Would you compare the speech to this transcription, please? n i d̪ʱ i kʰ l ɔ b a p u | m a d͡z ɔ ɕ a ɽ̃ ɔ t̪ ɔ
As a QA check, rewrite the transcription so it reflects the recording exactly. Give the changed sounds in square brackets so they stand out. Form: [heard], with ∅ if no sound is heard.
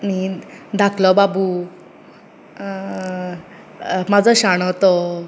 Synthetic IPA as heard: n i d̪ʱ [a] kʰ l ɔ b a [b] u | m a d͡z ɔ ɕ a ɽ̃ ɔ t̪ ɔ